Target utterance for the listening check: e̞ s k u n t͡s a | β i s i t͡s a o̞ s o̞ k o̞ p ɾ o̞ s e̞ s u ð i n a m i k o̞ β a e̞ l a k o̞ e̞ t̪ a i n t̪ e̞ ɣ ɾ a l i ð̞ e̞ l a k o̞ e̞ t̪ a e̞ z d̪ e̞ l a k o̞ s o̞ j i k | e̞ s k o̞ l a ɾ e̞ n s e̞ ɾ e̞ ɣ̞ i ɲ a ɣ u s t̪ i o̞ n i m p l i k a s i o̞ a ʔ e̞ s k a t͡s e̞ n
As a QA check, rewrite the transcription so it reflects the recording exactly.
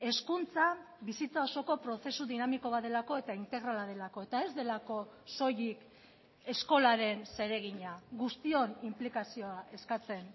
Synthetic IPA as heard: e̞ s k u n t͡s a | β i s i t͡s a o̞ s o̞ k o̞ p ɾ o̞ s e̞ s u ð i n a m i k o̞ β a e̞ l a k o̞ e̞ t̪ a i n t̪ e̞ ɣ ɾ a l a ð̞ e̞ l a k o̞ e̞ t̪ a e̞ z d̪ e̞ l a k o̞ s o̞ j i k | e̞ s k o̞ l a ɾ e̞ n s e̞ ɾ e̞ ɣ̞ i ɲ a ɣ u s t̪ i o̞ n i m p l i k a s i o̞ a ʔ e̞ s k a t͡s e̞ n